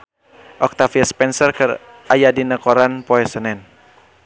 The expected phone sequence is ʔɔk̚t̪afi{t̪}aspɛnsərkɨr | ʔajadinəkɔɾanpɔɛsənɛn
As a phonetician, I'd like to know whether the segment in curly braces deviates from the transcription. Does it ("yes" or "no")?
yes